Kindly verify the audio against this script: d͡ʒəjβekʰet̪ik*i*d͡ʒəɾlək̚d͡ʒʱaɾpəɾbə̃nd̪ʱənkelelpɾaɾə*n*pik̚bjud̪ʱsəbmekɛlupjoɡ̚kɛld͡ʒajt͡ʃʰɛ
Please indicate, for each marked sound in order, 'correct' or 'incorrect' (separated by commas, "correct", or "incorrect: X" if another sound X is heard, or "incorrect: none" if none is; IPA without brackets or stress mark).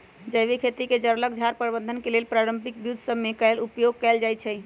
incorrect: e, incorrect: m